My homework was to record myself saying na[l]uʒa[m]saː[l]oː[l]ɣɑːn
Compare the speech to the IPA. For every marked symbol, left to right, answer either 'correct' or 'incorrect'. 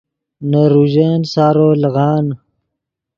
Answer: incorrect, incorrect, incorrect, correct

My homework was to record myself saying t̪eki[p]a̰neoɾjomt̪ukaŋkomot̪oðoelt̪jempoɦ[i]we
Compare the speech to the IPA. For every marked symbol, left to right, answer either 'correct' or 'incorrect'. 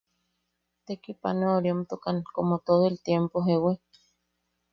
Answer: correct, incorrect

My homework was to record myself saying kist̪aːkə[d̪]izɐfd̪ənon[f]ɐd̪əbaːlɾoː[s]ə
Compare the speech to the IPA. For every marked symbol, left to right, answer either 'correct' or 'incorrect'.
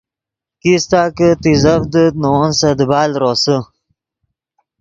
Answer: incorrect, incorrect, correct

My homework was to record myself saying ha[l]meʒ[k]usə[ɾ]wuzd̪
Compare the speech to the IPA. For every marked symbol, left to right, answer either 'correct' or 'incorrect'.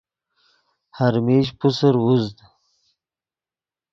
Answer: incorrect, incorrect, correct

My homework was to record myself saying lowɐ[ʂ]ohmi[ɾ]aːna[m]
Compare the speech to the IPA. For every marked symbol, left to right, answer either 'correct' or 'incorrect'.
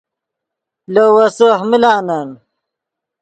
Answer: incorrect, incorrect, incorrect

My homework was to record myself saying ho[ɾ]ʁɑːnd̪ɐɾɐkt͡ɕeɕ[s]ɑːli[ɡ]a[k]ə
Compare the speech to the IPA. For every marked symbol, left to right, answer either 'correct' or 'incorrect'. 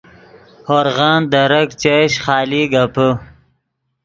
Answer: correct, incorrect, correct, incorrect

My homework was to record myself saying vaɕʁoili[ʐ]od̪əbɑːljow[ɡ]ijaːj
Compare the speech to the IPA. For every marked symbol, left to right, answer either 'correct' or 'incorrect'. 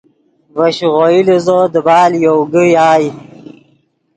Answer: incorrect, correct

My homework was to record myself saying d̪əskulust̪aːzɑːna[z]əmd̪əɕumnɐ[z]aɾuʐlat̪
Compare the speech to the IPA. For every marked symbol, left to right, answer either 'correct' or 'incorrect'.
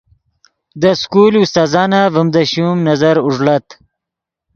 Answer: incorrect, correct

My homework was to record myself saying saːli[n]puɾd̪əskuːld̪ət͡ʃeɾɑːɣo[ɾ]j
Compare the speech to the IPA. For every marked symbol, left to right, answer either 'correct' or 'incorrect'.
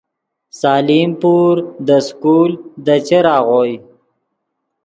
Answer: incorrect, incorrect

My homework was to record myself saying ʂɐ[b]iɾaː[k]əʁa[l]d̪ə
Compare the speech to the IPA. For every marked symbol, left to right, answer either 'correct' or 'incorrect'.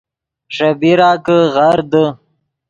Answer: correct, correct, incorrect

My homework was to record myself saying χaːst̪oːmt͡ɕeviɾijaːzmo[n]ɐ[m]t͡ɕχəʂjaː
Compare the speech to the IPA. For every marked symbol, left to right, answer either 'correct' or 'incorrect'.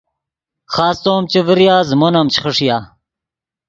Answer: correct, correct

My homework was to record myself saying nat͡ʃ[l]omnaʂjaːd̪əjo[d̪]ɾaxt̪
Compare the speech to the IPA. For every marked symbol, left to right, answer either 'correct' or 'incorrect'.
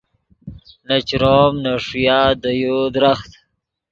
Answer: incorrect, correct

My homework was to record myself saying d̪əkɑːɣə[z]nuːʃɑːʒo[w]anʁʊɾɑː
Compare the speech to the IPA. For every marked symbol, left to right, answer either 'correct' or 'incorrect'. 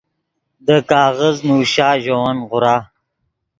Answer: correct, correct

